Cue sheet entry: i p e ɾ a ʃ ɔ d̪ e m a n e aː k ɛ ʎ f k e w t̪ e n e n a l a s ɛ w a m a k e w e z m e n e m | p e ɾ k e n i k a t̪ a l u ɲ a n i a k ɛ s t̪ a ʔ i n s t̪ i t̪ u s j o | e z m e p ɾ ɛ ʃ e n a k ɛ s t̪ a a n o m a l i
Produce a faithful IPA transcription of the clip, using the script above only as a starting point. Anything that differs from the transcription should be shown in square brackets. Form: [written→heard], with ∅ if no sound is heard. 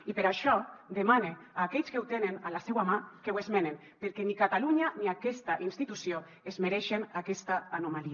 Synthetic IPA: i p e ɾ a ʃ ɔ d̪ e m a n e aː k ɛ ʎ [f→s] k e w t̪ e n e n a l a s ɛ w a m a k e w e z m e n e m | p e ɾ k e n i k a t̪ a l u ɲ a n i a k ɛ s t̪ a ʔ i n s t̪ i t̪ u s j o | e z m e [p→∅] ɾ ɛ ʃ e n a k ɛ s t̪ a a n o m a l i